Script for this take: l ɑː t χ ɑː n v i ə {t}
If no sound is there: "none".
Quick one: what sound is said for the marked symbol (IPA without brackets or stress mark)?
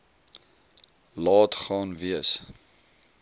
s